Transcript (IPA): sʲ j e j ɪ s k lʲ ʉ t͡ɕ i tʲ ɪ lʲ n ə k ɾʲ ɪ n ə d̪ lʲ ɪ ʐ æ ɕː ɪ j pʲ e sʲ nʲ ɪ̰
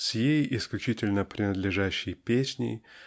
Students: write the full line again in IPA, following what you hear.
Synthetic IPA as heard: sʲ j e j ɪ s k lʲ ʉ t͡ɕ i tʲ ɪ lʲ n ə p ɾʲ ɪ n ə d̪ lʲ ɪ ʐ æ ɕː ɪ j pʲ e sʲ nʲ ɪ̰

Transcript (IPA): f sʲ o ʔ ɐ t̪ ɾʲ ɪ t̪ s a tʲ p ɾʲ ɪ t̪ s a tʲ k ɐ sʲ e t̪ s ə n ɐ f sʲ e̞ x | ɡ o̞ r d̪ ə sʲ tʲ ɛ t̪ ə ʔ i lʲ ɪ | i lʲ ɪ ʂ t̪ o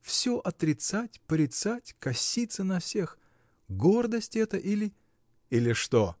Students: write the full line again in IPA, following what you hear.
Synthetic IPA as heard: f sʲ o ʔ ɐ t̪ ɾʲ ɪ t̪ s a tʲ p ɾʲ ɪ t̪ s a tʲ k ɐ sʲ i t̪ s ə n ɐ f sʲ e̞ x | ɡ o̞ r d̪ ə sʲ tʲ ɛ t̪ ə ʔ i lʲ ɪ | i lʲ ɪ ʂ t̪ o

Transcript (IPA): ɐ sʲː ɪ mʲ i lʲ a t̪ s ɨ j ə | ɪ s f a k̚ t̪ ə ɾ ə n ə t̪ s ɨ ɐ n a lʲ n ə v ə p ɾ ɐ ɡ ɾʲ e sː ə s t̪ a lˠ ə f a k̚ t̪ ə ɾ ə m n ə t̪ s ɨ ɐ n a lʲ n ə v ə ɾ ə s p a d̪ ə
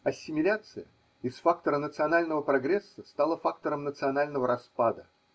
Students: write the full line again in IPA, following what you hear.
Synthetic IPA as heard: ɐ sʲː ɪ mʲ ɪ lʲ a t̪ s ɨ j ə | ɪ s f a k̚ t̪ ə ɾ ə n ə t̪ s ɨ ɐ n a lʲ n ə v ə p ɾ ɐ ɡ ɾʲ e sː ə s t̪ a lˠ ə f a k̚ t̪ ə ɾ ə m n ə t̪ s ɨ ɐ n a lʲ n ə v ə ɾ ɐ s p a d̪ ə

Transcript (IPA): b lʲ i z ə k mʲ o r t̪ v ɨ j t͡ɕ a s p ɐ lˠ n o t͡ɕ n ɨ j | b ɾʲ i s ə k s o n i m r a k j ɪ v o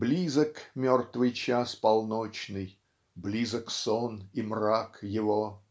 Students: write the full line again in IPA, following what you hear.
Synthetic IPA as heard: b lʲ i z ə k mʲ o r t̪ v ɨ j t͡ɕ a s p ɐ lˠ n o t͡ɕ n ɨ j | b lʲ i z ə k s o n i m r a k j ɪ v o

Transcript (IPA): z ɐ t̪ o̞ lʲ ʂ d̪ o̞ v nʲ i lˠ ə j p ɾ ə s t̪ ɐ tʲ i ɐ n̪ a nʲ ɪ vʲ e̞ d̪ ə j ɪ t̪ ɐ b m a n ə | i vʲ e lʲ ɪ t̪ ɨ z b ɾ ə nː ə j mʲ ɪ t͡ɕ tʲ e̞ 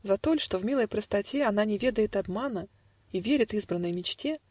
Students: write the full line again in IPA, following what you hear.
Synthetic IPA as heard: z ɐ t̪ o̞ lʲ ʂ t̪ o̞ v mʲ i lˠ ə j p ɾ ə s t̪ ɐ tʲ e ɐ n̪ a nʲ ɪ vʲ e̞ d̪ ə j ɪ t̪ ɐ b m a n ə | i vʲ e ɾʲ ɪ t̪ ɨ z b ɾ ə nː ə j mʲ ɪ t͡ɕ tʲ e̞

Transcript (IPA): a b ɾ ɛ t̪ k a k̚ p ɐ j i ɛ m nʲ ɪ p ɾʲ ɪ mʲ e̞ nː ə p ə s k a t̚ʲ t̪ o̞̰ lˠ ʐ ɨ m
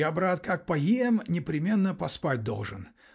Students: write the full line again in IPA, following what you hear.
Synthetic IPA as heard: a b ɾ a t̪ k a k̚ p ɐ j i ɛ m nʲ ɪ p ɾʲ ɪ mʲ e̞ nː ə p ɐ s p a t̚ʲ d̪ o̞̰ lˠ ʐ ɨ n

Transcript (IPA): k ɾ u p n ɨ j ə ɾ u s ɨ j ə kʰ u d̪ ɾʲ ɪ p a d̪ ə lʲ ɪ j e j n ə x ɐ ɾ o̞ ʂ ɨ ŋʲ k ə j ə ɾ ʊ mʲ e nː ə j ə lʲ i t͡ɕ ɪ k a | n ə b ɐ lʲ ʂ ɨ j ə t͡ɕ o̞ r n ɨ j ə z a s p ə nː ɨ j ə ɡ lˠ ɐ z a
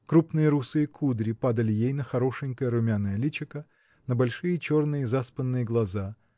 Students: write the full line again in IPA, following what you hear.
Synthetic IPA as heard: k ɾ u p n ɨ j ə ɾ u s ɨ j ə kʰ u d̪ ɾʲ ɪ p a d̪ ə lʲ ɪ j e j n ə x ɐ ɾ o̞ ʂ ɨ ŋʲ k ə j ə ɾ ʊ mʲ a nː ə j ə lʲ i t͡ɕ ɪ k ə | n ə b ɐ lʲ ʂ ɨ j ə t͡ɕ o̞ r n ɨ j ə z a s p ə nː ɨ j ə ɡ lˠ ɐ z a

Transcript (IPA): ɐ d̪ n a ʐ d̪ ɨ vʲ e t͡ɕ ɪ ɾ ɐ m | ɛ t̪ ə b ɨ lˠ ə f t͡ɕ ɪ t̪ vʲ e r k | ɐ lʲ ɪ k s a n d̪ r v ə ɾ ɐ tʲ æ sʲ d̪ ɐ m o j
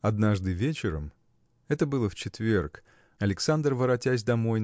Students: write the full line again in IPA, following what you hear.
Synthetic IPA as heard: ɐ d̪ n a ʐ d̪ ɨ vʲ e t͡ɕ ɪ ɾ ə m | ɛ t̪ ə b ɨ lˠ ə f t͡ɕ ɪ t̪ vʲ e r k | ɐ lʲ ɪ k s a n d̪ r v ə ɾ ɐ tʲ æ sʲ d̪ ɐ m o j

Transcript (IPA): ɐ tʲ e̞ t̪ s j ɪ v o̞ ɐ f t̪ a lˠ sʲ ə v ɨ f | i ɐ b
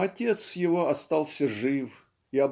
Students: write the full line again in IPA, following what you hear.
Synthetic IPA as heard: ɐ tʲ e̞ t̪ s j ɪ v o̞ ɐ s t̪ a lˠ sʲ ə ʐ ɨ f | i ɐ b

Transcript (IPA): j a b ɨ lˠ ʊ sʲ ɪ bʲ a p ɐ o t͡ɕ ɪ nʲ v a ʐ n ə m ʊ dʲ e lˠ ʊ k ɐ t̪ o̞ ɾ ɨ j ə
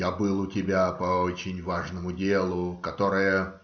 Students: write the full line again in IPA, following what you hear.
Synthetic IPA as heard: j a b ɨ lˠ ʊ tʲ ɪ bʲ a p ɐ o t͡ɕ ɪ nʲ v a ʐ n ə m ʊ dʲ e lˠ ʊ k ɐ t̪ o̞ ɾ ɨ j ə

